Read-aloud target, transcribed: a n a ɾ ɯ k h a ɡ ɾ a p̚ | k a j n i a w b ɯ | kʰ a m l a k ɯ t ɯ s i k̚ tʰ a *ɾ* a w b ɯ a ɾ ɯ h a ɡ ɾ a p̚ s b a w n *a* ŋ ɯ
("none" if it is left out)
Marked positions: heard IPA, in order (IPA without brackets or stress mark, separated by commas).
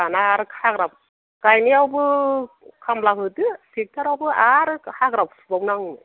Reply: ɾ, a